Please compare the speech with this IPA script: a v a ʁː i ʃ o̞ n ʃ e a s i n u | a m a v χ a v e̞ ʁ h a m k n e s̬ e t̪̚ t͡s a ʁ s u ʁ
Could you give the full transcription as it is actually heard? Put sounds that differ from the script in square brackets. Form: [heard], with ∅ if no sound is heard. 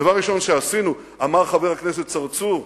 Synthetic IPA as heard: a v a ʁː i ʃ o̞ n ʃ e a s i n u | a m a [ʁ] χ a v e̞ ʁ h a [∅] k n e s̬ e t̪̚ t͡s a ʁ [t͡s] u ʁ